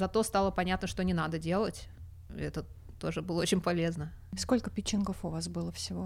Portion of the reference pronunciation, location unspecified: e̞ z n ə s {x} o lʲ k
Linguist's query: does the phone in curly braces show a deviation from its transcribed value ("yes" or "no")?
yes